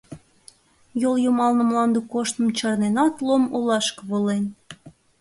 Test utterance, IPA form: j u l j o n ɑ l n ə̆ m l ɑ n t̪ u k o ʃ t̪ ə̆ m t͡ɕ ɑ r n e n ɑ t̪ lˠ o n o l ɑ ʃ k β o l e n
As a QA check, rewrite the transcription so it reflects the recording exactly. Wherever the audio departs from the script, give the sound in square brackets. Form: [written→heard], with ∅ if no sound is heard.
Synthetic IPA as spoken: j [u→o] l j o [n→m] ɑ l n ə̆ m l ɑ n [t̪→d̪] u k o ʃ t̪ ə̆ m t͡ɕ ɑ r n e n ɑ t̪ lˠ o [n→m] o l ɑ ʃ k β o l e n